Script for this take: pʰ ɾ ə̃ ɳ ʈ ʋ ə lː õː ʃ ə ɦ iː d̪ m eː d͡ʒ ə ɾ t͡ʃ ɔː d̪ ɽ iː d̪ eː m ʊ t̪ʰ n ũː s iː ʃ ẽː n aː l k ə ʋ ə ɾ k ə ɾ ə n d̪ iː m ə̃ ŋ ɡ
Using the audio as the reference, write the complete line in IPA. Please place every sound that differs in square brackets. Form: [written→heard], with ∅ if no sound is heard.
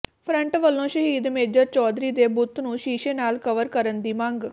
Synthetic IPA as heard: pʰ ɾ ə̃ ɳ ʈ ʋ ə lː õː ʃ ə ɦ iː d̪ m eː d͡ʒ ə ɾ t͡ʃ ɔː d̪ [ɽ→ɾ] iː d̪ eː [m→b] ʊ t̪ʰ n ũː [s→ʃ] iː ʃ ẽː n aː l k ə ʋ ə ɾ k ə ɾ ə n d̪ iː m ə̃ ŋ ɡ